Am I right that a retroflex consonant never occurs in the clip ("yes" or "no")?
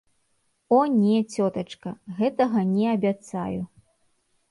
no